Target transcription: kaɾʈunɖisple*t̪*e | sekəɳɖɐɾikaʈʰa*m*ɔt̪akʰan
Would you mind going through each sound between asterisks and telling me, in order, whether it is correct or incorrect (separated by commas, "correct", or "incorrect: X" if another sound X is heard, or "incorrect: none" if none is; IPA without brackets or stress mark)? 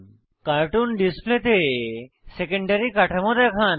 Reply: correct, correct